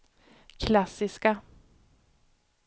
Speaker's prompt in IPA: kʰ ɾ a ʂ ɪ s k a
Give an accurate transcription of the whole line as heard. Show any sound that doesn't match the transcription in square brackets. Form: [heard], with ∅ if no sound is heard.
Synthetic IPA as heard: kʰ [l] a [s] ɪ s k a